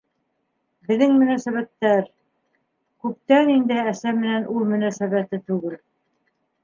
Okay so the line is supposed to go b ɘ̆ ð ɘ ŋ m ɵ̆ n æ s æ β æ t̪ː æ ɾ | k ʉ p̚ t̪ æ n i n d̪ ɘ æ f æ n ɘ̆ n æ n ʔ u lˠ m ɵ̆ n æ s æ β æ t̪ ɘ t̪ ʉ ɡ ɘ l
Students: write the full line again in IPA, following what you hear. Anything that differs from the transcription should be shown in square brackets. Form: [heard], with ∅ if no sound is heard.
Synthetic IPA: b ɘ̆ ð ɘ ŋ m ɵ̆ n æ s æ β æ t̪ː æ ɾ | k ʉ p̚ t̪ æ n i n d̪ ɘ æ [s] æ [m] ɘ̆ n æ n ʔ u lˠ m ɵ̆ n æ s æ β æ t̪ ɘ t̪ ʉ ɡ ɘ l